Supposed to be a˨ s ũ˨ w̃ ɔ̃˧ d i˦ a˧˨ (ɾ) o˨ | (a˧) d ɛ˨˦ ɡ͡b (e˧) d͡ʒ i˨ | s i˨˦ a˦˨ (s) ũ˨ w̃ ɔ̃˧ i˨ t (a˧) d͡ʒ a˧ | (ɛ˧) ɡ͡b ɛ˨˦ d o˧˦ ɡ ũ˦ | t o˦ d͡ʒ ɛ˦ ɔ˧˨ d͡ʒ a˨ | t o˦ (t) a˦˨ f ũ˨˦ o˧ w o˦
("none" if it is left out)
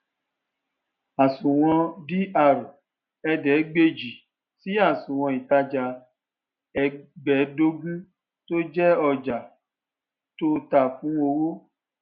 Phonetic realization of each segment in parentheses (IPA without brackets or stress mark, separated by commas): ɾ, ɛ˧, e˧, s, a˧, ɛ˧, t